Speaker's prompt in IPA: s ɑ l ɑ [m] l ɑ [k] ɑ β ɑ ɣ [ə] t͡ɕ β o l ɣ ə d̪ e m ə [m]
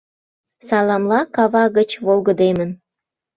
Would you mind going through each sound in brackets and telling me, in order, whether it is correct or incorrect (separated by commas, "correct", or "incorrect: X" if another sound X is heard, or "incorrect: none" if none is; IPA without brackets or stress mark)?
correct, correct, correct, incorrect: n